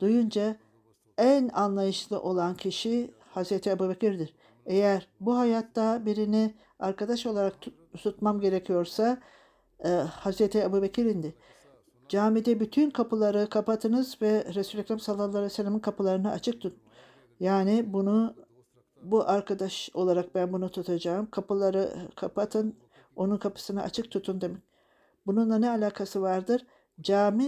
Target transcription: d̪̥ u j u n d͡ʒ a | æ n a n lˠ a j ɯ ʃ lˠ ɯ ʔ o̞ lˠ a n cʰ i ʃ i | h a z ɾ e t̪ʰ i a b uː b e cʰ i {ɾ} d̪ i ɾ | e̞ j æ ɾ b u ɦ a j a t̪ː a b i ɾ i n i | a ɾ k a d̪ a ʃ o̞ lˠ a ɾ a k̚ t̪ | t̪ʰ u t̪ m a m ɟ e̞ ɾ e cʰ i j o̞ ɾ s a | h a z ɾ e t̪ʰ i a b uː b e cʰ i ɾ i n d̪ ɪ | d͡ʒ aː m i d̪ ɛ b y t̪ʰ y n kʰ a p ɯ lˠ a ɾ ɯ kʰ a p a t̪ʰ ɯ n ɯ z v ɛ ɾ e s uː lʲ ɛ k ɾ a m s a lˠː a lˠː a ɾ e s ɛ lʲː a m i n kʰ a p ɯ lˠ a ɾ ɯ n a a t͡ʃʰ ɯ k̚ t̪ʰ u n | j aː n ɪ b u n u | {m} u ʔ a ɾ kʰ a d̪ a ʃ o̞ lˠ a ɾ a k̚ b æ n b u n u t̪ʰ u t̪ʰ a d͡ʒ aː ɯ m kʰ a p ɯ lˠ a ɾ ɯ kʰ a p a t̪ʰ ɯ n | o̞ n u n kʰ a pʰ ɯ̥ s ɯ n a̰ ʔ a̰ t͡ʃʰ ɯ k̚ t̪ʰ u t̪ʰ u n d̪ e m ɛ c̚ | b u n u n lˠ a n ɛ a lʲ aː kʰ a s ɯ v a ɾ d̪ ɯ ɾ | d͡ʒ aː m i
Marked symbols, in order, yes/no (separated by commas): yes, no